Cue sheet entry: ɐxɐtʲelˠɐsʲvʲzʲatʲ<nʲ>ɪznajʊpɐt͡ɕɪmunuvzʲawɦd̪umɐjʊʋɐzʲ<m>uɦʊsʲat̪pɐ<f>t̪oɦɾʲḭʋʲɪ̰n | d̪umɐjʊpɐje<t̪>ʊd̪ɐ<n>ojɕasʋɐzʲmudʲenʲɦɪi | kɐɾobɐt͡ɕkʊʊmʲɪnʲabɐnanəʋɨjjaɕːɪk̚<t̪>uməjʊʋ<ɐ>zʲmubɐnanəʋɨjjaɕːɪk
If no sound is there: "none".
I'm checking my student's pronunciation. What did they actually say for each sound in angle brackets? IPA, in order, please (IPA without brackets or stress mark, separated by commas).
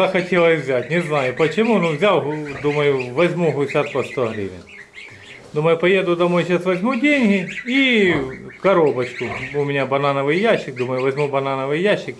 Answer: nʲ, m, s, d̪, m, d̪, ɐ